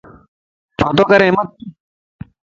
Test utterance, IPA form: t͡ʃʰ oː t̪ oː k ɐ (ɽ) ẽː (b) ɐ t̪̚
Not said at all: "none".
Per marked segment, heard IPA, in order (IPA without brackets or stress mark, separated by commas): ɾ, m